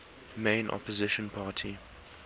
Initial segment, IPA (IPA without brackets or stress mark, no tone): m